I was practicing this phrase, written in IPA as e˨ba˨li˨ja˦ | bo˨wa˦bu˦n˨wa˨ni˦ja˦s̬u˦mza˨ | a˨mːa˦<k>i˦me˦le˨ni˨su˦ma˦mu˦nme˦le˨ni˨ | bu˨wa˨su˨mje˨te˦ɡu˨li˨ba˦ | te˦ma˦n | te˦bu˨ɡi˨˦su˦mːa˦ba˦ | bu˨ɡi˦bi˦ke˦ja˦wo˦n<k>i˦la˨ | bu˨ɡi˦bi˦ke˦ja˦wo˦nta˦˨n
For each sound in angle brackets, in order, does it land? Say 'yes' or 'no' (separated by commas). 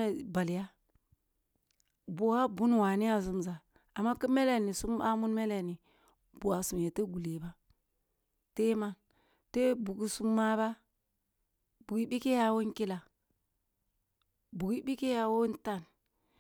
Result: yes, yes